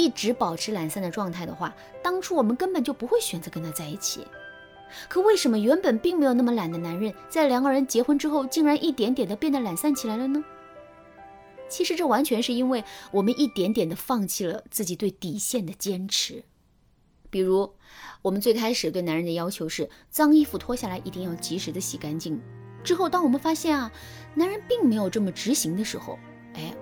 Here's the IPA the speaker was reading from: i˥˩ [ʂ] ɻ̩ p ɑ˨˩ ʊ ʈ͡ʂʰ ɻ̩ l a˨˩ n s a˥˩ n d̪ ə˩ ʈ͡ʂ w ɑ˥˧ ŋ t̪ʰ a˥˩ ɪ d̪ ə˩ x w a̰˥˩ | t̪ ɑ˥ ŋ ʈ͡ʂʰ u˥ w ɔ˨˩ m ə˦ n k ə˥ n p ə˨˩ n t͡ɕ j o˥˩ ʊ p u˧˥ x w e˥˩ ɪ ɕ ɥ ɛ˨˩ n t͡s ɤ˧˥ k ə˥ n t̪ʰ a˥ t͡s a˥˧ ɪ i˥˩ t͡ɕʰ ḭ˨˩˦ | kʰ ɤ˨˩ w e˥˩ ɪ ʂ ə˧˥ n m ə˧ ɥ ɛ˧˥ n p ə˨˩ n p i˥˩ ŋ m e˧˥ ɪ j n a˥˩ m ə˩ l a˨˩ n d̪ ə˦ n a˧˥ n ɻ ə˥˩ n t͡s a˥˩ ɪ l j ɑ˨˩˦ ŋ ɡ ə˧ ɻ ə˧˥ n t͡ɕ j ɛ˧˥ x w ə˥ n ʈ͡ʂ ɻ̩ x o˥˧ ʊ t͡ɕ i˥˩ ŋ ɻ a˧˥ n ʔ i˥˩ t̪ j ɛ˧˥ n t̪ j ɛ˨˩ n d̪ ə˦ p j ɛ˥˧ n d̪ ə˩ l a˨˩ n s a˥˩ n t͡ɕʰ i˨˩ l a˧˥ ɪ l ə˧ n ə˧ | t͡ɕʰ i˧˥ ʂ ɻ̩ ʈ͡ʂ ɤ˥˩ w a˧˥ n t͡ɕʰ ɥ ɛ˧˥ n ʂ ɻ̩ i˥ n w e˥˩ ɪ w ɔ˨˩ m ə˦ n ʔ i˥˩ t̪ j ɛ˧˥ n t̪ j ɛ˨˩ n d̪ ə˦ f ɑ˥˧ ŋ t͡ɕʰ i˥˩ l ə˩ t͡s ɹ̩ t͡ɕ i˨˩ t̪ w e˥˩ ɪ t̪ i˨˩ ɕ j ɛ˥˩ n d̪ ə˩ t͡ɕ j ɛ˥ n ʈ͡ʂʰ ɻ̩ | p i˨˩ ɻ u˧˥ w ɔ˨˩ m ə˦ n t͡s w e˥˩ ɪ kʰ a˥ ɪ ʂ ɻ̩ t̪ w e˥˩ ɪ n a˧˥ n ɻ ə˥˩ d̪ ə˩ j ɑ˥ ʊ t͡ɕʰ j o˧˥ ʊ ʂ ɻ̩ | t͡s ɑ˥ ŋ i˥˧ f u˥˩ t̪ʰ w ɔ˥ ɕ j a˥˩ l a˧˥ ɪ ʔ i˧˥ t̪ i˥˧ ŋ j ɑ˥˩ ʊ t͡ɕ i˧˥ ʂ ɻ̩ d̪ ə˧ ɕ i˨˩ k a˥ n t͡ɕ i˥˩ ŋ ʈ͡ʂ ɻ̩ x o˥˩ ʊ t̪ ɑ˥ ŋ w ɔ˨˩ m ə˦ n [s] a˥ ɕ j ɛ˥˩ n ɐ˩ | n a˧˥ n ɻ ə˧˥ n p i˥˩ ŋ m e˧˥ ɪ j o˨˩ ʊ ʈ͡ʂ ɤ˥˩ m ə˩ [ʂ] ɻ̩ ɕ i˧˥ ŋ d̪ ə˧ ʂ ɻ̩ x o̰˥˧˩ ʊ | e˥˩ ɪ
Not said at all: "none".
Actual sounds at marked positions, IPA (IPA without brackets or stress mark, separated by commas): ʈ͡ʂ, f, ʈ͡ʂ